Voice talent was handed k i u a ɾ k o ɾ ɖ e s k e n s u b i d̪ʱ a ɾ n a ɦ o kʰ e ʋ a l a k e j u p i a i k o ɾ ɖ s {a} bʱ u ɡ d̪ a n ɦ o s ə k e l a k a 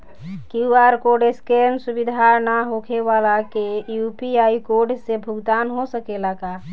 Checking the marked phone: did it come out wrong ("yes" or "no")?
yes